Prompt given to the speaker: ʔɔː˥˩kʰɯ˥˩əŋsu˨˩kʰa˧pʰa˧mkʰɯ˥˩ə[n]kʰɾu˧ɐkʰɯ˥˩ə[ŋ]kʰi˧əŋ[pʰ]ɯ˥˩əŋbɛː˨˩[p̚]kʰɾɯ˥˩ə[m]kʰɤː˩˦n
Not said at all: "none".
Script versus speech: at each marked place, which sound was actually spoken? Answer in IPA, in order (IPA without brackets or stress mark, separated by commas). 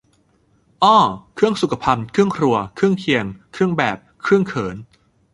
ŋ, ŋ, kʰ, p̚, ŋ